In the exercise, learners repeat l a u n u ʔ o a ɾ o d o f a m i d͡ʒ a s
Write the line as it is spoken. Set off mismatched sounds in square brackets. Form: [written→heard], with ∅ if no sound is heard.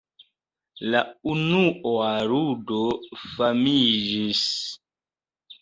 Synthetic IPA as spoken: l a u n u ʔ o a ɾ [o→u] d o f a m i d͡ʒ [a→i] s